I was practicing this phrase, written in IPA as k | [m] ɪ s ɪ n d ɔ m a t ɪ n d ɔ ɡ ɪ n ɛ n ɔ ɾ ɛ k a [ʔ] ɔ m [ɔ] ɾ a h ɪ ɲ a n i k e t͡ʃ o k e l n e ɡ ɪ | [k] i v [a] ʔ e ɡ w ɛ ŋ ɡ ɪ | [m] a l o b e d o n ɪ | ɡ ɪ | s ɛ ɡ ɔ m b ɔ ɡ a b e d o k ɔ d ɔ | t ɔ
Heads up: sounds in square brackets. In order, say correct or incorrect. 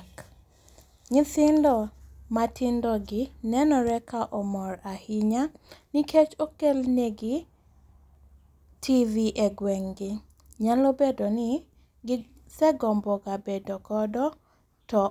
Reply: incorrect, correct, correct, incorrect, incorrect, incorrect

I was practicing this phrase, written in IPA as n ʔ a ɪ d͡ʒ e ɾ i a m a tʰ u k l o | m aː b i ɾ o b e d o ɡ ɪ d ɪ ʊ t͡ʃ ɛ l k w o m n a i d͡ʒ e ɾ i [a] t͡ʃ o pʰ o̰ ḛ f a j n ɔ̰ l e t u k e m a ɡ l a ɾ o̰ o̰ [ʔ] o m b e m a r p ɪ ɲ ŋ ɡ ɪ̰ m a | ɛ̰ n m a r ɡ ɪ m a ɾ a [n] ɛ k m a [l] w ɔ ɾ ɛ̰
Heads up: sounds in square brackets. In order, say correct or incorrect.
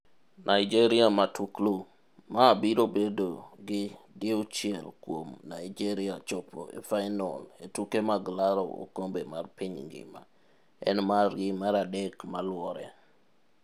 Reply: correct, incorrect, incorrect, correct

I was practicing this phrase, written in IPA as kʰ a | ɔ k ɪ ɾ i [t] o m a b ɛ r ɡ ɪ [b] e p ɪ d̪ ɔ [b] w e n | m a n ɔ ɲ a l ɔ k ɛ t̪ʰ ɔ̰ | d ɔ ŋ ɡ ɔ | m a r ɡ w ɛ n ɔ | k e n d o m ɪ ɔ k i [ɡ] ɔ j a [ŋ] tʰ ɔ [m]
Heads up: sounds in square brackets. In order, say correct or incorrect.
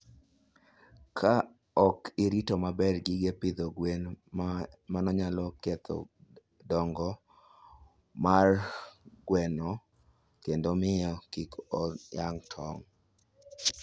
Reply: correct, incorrect, incorrect, incorrect, correct, incorrect

